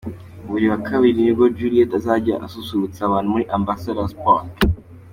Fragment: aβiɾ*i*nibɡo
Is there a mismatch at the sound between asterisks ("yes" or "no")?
no